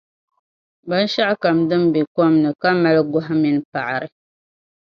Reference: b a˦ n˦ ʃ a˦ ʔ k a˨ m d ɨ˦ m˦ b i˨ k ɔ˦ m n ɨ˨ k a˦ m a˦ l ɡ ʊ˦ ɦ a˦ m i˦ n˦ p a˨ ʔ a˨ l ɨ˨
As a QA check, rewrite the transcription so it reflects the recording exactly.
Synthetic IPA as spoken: b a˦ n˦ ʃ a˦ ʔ k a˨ m d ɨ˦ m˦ b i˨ k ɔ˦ m n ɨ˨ k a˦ m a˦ l ɡ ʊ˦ ɦ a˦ m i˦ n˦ p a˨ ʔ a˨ ɾ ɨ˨